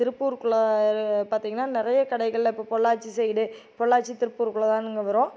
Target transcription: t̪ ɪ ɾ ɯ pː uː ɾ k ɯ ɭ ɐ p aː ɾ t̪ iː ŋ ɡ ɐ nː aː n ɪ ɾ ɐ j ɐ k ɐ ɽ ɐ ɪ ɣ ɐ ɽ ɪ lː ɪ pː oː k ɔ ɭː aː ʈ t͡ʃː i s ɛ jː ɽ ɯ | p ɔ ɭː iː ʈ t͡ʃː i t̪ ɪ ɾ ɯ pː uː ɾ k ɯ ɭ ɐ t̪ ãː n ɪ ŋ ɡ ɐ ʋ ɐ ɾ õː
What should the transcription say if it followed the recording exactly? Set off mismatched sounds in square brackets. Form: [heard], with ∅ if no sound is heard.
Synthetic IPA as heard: t̪ ɪ ɾ ɯ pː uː ɾ k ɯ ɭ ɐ p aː ɾ t̪ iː ŋ ɡ ɐ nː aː n ɪ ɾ ɐ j ɐ k ɐ ɽ ɐ ɪ ɣ ɐ [ɭ] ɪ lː ɪ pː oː [p] ɔ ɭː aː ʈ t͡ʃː i s ɛ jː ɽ ɯ | p ɔ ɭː [aː] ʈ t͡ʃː i t̪ ɪ ɾ ɯ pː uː ɾ k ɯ ɭ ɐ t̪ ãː n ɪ ŋ ɡ ɐ ʋ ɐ ɾ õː